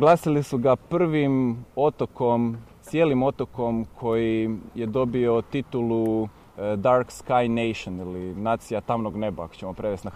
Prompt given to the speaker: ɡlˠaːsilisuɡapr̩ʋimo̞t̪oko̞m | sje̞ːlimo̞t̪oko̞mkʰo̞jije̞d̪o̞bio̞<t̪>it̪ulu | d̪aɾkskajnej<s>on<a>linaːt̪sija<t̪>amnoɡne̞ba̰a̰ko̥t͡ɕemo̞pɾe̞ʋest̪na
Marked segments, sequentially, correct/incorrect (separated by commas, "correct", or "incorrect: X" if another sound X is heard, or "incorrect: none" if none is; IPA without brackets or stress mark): correct, incorrect: ʃ, incorrect: i, correct